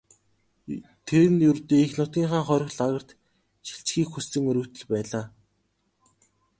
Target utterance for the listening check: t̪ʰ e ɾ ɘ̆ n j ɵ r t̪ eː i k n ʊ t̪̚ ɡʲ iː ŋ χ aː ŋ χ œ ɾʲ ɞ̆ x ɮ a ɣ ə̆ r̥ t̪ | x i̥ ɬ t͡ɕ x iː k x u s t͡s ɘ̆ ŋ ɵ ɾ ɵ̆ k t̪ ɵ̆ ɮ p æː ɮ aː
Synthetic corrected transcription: t̪ʰ e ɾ ɘ̆ n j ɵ r t̪ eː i x n ʊ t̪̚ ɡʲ iː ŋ χ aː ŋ χ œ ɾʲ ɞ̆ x ɮ a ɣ ə̆ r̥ t̪ | ʃ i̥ ɬ t͡ɕ x iː k x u s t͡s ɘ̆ ŋ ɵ ɾ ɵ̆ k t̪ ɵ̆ ɮ p æː ɮ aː